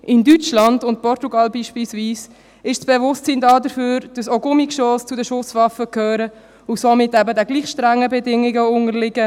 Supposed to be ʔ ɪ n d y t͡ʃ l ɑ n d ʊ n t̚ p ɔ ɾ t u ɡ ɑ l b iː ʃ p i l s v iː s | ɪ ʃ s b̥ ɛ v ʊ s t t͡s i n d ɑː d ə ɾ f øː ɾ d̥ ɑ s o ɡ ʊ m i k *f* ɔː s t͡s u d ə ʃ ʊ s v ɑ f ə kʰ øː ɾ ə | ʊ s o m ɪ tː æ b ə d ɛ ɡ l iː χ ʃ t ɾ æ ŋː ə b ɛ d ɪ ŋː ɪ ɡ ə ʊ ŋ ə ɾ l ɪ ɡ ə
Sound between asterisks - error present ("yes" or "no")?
yes